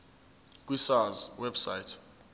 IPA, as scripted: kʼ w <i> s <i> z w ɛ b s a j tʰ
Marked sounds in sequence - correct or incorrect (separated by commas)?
correct, incorrect